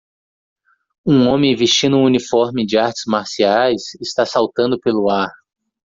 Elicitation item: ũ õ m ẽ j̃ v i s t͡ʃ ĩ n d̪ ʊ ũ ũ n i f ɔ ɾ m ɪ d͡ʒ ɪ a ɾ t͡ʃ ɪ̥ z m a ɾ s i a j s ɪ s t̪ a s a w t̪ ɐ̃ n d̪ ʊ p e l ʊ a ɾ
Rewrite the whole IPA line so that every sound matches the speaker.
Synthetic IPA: ũ õ m ẽ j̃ v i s t͡ʃ ĩ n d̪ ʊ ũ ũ n i f ɔ ɾ m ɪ d͡ʒ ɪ a ɾ t͡ʃ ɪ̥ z m a ɾ s i a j s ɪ s t̪ a s a w t̪ ɐ̃ n d̪ ʊ p e l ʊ a ɾ